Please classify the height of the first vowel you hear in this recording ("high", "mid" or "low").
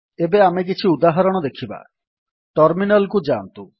mid